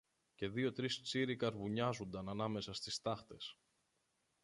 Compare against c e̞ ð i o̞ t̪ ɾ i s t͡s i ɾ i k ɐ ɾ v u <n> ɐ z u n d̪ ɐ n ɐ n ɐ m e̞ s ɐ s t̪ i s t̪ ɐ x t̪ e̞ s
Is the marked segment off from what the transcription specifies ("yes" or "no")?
yes